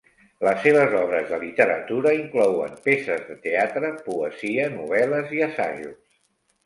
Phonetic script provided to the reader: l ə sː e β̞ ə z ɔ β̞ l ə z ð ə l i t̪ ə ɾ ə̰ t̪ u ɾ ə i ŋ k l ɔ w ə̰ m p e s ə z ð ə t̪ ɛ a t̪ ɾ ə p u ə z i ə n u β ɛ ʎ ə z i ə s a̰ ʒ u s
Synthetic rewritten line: l ə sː e β̞ ə z ɔ β̞ ɾ ə z ð ə l i t̪ ə ɾ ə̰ t̪ u ɾ ə i ŋ k l ɔ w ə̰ m p e s ə z ð ə t̪ e a t̪ ɾ ə p u ə z i ə n u β ɛ l ə z i ə s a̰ ʒ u s